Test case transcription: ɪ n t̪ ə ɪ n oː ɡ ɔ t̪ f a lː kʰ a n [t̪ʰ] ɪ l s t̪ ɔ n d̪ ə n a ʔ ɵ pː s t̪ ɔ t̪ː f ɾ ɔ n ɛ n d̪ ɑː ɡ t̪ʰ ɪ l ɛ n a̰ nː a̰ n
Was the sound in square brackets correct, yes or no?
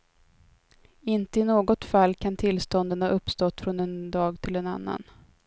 yes